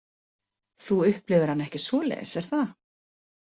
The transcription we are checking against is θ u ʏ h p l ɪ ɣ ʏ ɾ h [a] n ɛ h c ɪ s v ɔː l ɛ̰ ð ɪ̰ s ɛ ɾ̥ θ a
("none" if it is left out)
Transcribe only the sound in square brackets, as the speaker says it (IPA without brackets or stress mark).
a